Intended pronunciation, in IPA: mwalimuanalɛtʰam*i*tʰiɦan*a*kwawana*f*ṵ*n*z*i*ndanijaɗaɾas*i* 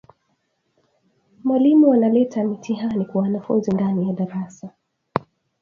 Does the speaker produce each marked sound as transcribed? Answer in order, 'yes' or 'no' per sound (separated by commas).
yes, no, yes, yes, yes, no